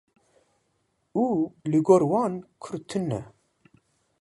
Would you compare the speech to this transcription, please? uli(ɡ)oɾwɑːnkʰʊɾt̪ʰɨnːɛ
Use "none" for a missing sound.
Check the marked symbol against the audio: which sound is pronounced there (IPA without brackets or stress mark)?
ɡ